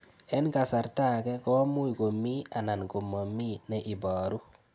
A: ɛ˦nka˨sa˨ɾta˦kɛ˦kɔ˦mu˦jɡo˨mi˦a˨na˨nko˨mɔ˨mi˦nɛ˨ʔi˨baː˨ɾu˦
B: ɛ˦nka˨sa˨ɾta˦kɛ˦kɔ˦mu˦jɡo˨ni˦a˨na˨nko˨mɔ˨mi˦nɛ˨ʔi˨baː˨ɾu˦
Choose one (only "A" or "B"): A